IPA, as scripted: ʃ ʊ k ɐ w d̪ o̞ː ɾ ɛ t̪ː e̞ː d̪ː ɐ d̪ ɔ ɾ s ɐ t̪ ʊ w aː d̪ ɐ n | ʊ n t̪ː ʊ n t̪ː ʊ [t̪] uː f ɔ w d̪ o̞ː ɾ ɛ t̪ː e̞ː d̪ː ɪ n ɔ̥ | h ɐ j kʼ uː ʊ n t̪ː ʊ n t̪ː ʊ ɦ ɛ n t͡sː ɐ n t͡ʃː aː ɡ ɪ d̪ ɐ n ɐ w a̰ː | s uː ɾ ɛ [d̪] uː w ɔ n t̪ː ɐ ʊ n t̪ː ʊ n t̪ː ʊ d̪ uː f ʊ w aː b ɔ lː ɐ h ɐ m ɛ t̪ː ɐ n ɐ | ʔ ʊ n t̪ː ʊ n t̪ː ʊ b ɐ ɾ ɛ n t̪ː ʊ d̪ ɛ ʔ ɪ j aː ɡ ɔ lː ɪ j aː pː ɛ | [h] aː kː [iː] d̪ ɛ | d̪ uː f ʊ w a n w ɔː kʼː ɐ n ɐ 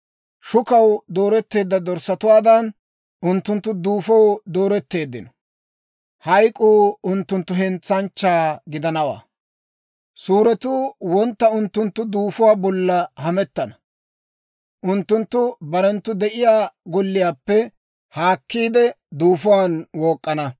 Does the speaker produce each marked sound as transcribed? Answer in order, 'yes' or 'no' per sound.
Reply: no, no, yes, yes

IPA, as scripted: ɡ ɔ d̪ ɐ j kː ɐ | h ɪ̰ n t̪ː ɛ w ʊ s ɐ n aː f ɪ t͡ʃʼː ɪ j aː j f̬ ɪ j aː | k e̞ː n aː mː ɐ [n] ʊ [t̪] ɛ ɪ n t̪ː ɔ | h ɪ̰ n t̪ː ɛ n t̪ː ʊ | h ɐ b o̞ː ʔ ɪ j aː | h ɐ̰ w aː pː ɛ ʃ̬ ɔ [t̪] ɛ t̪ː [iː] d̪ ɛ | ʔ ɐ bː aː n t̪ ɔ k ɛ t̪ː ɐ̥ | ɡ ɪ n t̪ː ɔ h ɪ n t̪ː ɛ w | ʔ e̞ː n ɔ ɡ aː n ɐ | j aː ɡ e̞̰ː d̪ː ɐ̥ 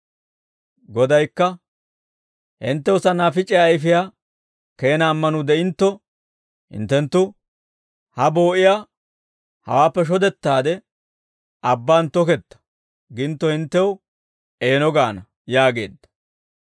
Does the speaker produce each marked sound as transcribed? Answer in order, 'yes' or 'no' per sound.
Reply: yes, no, no, no

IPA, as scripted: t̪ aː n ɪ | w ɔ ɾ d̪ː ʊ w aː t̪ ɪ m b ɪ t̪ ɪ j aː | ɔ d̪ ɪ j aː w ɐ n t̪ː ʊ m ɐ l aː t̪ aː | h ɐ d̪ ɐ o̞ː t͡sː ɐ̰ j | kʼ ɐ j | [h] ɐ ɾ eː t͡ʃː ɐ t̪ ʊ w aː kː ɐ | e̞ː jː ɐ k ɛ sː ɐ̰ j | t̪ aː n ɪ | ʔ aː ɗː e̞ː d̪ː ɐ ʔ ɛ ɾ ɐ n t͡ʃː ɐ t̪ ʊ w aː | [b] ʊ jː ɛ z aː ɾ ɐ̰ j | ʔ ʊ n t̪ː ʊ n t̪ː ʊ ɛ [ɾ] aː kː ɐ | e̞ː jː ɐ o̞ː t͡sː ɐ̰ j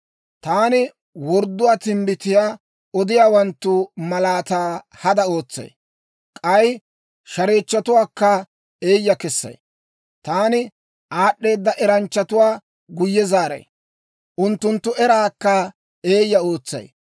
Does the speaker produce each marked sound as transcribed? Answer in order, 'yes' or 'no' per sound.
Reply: no, no, yes

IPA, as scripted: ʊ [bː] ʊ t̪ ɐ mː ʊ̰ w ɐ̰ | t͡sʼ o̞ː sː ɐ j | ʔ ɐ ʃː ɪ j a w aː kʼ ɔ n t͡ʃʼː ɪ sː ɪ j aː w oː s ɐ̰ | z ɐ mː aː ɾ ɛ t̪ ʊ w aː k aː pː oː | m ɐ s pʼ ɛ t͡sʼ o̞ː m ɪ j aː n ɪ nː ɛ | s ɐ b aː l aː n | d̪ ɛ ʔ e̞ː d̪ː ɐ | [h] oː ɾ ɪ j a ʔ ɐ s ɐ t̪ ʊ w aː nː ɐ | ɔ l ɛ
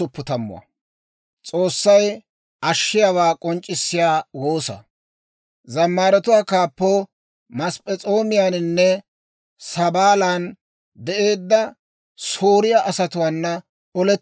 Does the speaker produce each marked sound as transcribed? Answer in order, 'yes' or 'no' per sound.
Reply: no, no

